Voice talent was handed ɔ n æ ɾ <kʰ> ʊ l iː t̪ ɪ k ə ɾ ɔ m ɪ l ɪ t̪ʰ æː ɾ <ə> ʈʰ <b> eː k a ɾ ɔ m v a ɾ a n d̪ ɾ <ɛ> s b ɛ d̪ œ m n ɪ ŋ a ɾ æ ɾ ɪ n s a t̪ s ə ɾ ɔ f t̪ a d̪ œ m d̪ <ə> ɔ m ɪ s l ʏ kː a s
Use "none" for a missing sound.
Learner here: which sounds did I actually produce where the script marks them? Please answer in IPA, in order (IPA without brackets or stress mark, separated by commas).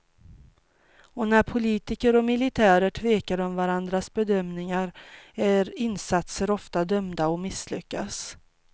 pʰ, ə, v, a, a